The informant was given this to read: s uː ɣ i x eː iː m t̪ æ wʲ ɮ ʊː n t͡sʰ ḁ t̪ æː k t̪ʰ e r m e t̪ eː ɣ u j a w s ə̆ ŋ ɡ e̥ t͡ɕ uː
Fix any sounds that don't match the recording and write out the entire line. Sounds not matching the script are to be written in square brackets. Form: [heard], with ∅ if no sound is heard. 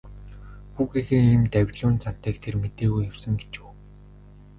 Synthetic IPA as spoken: [x] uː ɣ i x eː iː m t̪ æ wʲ ɮ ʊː n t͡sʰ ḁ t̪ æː k t̪ʰ e r m e t̪ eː ɣ u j a w s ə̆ ŋ ɡ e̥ t͡ɕ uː